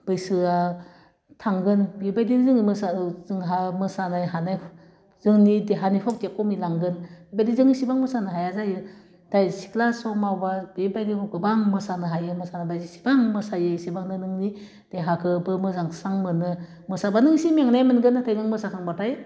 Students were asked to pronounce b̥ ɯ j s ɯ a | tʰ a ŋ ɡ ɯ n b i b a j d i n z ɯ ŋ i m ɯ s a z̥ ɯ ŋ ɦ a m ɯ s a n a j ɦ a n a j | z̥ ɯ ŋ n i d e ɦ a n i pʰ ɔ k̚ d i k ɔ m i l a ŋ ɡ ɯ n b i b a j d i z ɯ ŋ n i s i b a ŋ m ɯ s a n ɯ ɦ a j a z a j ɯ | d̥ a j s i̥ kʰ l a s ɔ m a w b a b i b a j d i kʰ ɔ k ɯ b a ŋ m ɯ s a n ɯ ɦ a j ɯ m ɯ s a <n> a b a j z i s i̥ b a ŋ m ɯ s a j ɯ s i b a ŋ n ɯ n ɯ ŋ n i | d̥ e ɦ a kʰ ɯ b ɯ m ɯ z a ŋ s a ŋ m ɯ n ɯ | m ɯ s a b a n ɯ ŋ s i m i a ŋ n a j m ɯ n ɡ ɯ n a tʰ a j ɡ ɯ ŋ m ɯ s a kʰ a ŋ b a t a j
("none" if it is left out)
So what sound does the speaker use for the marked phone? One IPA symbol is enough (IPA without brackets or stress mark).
n